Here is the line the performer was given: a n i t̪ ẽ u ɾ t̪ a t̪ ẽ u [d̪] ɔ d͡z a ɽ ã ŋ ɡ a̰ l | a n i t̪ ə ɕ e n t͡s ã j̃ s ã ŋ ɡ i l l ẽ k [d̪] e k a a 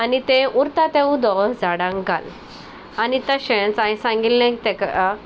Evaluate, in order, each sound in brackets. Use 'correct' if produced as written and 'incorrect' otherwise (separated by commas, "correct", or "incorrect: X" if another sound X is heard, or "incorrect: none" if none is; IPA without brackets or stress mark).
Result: correct, incorrect: t̪